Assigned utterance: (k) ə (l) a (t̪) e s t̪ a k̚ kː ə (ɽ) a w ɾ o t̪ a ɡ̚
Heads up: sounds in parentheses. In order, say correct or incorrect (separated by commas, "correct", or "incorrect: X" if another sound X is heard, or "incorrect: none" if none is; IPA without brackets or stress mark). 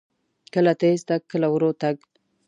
correct, correct, correct, incorrect: l